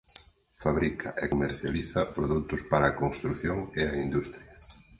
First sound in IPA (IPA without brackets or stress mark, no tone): f